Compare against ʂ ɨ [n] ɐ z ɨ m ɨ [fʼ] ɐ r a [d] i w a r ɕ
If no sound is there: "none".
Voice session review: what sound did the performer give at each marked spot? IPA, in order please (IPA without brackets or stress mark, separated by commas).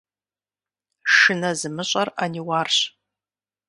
n, ɕʼ, n